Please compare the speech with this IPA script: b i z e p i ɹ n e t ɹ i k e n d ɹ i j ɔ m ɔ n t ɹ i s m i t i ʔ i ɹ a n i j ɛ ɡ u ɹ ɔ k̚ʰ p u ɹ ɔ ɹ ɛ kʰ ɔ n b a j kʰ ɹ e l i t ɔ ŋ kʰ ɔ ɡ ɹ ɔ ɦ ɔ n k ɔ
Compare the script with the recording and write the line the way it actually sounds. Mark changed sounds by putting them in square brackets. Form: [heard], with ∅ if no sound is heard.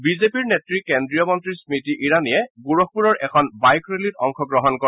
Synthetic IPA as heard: b i z e p i ɹ n e t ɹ i k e n d ɹ i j ɔ m ɔ n t ɹ i s m i t i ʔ i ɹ a n i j ɛ ɡ u ɹ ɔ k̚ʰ p u ɹ ɔ ɹ ɛ kʰ ɔ n b a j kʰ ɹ e l i t ɔ ŋ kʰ ɔ ɡ ɹ ɔ ɦ ɔ n k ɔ